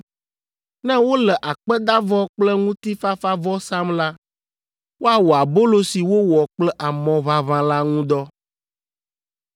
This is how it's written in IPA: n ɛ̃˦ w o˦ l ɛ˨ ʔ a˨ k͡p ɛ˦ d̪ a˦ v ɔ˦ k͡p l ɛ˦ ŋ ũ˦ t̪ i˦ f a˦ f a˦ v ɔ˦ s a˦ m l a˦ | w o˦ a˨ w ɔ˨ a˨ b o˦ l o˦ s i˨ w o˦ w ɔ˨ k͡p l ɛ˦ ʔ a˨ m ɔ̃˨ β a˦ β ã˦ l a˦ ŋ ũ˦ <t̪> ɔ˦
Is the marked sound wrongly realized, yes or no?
yes